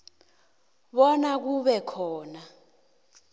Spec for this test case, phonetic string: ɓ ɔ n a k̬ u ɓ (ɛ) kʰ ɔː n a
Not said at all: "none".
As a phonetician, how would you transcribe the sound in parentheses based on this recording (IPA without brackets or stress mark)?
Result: ɛ